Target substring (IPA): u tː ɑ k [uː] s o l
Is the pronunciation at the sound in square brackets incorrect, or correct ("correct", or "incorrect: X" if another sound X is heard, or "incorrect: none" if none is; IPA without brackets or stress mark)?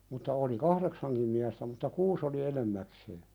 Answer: correct